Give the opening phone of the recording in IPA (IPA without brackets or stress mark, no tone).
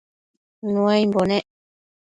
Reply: n